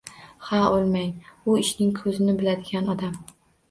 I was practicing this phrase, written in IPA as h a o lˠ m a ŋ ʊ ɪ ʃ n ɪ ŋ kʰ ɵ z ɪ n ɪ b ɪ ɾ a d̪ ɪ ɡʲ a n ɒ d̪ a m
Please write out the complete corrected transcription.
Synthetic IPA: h a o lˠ m a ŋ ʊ ɪ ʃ n ɪ ŋ kʰ ɵ z ɪ n ɪ b ɪ l a d̪ ɪ ɡʲ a n ɒ d̪ a m